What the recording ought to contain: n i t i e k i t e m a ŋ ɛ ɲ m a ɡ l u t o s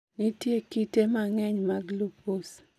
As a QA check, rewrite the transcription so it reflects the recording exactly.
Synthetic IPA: n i t j e k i t e m a ŋ ɛ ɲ m a ɡ l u p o s